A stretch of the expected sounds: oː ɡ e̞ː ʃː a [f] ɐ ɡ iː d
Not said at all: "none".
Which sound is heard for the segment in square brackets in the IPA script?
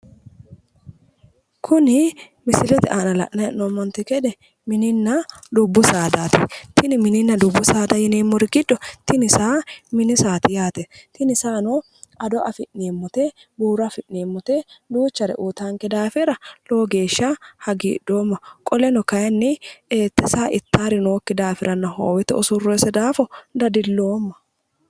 h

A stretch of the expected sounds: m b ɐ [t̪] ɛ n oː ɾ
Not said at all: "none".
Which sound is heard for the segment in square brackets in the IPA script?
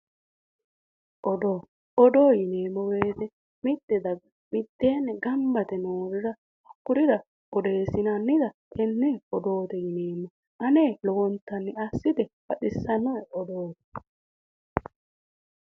t̪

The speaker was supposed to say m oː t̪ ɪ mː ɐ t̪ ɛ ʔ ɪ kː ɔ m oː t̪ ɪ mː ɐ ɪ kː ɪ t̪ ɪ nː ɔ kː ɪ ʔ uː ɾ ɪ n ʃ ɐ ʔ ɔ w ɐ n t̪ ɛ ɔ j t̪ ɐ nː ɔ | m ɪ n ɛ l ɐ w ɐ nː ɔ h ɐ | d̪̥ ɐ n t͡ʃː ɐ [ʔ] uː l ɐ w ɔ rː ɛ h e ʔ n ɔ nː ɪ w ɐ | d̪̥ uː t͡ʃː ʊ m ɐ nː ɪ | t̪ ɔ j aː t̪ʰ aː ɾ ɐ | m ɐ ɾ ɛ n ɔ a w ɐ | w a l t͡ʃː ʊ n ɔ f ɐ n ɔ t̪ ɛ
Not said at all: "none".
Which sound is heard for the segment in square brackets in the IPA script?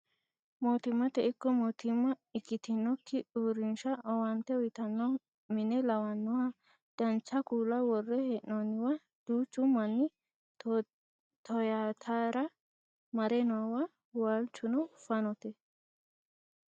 k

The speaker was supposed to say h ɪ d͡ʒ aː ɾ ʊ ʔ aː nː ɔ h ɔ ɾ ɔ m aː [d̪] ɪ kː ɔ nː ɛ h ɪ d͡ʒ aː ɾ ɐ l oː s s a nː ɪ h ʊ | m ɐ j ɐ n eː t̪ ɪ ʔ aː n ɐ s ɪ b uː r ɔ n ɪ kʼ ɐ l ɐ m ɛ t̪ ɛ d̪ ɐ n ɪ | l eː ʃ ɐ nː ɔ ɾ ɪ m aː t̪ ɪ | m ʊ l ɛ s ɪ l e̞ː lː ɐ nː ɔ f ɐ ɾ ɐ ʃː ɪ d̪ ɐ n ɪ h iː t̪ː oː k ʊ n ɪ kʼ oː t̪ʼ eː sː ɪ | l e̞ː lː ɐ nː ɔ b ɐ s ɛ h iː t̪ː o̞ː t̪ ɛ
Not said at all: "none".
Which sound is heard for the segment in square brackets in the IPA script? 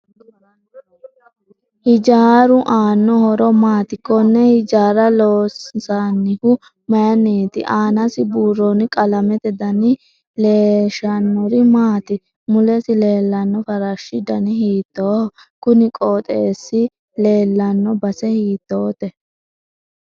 t̪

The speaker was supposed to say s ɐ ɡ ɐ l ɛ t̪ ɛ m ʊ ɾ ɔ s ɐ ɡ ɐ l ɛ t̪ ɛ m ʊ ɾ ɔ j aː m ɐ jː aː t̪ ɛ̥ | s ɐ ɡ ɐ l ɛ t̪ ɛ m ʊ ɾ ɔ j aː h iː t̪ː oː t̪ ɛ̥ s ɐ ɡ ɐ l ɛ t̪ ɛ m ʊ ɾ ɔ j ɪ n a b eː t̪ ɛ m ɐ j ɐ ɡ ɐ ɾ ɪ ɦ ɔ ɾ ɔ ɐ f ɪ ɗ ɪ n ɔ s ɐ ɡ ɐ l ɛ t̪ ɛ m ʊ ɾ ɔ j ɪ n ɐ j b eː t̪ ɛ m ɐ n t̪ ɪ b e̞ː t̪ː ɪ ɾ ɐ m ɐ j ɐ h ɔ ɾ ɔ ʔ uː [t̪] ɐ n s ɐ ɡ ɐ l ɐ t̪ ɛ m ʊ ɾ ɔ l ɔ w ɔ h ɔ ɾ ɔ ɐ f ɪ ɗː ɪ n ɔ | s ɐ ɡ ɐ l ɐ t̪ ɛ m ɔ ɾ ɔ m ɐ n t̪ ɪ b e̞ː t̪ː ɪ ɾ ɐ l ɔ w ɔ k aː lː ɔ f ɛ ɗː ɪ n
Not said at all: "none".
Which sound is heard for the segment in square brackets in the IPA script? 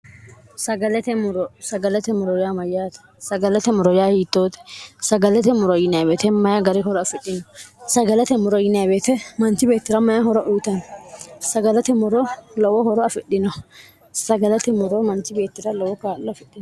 t̪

